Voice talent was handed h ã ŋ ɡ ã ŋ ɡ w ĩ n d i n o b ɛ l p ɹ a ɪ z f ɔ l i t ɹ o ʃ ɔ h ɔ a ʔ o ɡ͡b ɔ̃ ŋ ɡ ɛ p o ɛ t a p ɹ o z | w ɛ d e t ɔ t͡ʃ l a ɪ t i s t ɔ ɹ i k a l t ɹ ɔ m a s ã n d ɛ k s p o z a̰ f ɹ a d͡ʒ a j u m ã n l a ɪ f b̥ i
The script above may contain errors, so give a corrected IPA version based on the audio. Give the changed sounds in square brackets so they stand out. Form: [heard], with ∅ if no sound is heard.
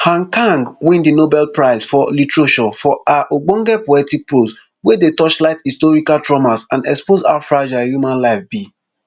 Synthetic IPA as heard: h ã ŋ [k] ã ŋ ɡ w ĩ n d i n o b ɛ l p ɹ a ɪ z f ɔ l i t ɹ o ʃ ɔ [f] ɔ a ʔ o ɡ͡b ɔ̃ ŋ ɡ ɛ p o ɛ t [i] p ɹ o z | w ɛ d e t ɔ t͡ʃ l a ɪ t i s t ɔ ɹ i k a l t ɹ ɔ m a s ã n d ɛ k s p o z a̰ f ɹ a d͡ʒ a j u m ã n l a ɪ f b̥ i